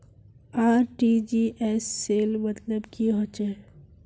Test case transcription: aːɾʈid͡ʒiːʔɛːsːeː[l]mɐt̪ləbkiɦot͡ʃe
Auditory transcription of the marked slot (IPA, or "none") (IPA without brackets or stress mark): l